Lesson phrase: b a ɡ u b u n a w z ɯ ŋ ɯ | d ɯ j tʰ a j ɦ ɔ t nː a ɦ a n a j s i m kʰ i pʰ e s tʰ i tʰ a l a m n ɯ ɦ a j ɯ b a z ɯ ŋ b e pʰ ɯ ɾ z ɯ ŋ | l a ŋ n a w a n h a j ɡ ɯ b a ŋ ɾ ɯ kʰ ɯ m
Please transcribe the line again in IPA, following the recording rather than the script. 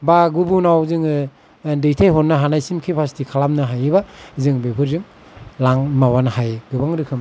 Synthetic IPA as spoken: b a ɡ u b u n a w z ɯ ŋ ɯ | d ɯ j tʰ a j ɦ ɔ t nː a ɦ a n a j s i m kʰ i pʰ a s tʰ i kʰ a l a m n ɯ ɦ a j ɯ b a z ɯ ŋ b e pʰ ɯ ɾ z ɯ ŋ | l a ŋ m a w a n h a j ɡ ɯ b a ŋ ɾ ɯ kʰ ɯ m